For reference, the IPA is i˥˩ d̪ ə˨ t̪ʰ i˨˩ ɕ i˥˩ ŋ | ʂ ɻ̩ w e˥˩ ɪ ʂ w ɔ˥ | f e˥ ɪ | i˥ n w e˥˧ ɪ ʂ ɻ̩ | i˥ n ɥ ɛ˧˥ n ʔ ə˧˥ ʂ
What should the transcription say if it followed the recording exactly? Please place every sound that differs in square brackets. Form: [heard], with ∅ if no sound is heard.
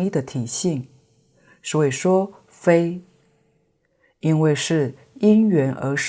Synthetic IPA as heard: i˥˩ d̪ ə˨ t̪ʰ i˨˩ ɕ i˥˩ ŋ | ʂ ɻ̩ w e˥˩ ɪ ʂ w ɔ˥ | f e˥ ɪ | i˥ n w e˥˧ ɪ ʂ ɻ̩ | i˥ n ɥ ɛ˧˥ n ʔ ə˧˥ ʂ